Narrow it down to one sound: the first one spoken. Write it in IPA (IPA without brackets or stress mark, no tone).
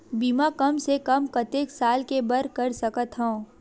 b